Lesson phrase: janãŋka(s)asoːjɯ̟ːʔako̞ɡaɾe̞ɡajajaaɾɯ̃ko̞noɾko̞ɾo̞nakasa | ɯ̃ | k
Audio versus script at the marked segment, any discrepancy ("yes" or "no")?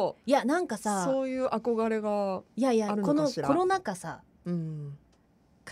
no